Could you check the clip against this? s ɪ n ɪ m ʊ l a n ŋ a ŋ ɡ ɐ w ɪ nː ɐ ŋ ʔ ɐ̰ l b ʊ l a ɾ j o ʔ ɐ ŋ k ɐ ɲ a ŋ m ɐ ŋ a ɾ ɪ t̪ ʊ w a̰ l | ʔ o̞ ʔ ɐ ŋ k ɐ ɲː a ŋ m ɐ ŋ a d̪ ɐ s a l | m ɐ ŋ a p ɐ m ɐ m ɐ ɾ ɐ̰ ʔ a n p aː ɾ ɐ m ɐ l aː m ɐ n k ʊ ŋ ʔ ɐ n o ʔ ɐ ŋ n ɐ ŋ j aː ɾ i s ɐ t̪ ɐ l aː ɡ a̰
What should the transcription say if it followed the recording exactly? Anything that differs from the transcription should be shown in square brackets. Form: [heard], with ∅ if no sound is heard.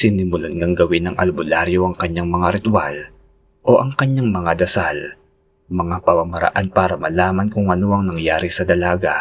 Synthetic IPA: s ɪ n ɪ m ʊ l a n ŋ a ŋ ɡ ɐ w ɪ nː ɐ ŋ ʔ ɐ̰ l b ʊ l a ɾ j o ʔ ɐ ŋ k ɐ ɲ a ŋ m ɐ ŋ a ɾ ɪ t̪ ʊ w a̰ l | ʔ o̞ ʔ ɐ ŋ k ɐ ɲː a ŋ m ɐ ŋ a d̪ ɐ s a l | m ɐ ŋ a p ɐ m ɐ m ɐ ɾ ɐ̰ ʔ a n p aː ɾ ɐ m ɐ l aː m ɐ n k ʊ ŋ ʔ ɐ n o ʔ ɐ ŋ n ɐ ŋ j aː ɾ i s ɐ [d̪] ɐ l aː ɡ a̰